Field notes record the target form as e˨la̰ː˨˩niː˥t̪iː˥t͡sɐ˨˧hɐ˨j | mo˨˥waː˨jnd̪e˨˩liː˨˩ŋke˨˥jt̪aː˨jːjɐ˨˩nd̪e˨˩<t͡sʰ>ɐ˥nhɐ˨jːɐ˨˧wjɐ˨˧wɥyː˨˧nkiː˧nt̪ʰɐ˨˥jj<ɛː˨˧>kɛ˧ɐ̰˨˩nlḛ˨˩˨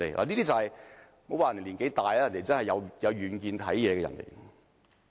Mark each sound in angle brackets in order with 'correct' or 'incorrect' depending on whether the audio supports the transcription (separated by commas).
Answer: incorrect, correct